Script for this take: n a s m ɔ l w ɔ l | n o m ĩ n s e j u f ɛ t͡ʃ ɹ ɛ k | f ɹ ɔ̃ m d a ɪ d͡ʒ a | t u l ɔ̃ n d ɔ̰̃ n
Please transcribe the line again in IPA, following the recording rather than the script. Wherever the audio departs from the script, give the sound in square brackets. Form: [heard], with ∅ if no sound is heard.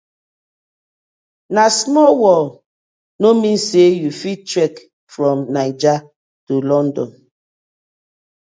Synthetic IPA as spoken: n a s m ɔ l w ɔ l | n o m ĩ n s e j u f [i] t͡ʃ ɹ ɛ k | f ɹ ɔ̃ m [n] a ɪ d͡ʒ a | t u l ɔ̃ n d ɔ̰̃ n